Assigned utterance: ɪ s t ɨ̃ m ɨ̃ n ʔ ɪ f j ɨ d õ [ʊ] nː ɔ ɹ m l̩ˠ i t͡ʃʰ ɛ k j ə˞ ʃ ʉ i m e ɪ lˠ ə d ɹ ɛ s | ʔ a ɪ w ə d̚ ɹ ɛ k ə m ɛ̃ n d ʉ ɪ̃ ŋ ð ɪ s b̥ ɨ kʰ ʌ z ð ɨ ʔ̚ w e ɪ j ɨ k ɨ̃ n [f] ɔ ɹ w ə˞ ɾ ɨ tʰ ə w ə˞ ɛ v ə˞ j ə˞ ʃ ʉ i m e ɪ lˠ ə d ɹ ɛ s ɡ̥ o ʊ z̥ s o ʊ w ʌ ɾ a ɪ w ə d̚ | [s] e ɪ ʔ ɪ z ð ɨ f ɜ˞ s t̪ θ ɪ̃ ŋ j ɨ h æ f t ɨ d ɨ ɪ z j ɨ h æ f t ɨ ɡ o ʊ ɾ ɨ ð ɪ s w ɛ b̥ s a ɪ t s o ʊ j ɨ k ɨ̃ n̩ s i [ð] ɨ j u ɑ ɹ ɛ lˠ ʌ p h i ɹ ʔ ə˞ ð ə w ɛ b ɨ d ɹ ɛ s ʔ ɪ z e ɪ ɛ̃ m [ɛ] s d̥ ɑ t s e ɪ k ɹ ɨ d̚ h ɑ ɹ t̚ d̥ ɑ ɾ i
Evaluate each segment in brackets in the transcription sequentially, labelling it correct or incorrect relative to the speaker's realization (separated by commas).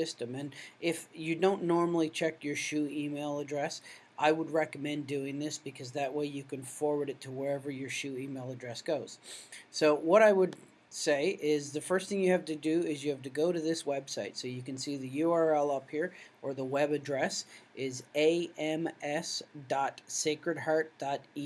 incorrect, correct, correct, correct, correct